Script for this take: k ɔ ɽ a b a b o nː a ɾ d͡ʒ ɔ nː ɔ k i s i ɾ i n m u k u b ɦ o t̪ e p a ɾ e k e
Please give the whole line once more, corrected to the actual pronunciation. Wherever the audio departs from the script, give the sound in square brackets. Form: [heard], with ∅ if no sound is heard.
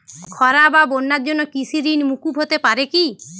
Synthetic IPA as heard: [kʰ] ɔ [ɾ] a b a b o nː a ɾ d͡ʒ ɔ nː ɔ k i s i ɾ i n m u k u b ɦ o t̪ e p a ɾ e k [i]